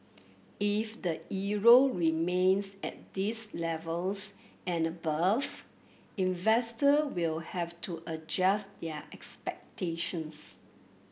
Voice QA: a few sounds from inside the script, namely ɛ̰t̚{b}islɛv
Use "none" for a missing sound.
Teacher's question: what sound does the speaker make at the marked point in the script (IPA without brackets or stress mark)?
d